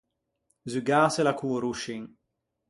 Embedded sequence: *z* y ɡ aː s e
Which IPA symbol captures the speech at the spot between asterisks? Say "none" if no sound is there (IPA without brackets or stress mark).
z